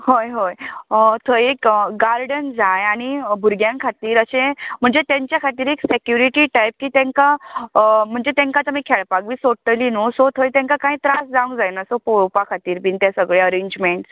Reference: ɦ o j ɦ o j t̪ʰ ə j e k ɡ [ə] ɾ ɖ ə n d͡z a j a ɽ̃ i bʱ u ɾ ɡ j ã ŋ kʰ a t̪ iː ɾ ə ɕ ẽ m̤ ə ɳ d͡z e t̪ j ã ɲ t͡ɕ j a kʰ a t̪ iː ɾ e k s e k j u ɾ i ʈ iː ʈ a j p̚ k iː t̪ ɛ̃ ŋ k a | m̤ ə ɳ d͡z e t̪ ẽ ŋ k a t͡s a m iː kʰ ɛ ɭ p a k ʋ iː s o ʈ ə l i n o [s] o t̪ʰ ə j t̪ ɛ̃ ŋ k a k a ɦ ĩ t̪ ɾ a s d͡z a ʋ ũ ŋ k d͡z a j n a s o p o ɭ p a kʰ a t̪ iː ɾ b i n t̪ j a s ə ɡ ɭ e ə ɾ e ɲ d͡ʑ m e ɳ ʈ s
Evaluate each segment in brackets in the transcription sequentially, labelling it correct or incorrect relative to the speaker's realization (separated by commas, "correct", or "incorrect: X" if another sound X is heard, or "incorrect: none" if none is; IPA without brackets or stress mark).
incorrect: a, correct